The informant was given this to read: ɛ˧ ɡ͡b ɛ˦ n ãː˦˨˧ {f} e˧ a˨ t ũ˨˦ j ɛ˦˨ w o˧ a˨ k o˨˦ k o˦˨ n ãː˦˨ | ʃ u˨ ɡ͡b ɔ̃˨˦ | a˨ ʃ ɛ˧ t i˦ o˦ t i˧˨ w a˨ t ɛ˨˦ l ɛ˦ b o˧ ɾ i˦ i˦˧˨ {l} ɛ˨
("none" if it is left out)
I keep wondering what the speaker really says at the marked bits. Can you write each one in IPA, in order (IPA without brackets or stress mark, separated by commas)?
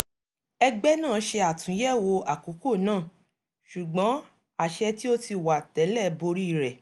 ʃ, ɾ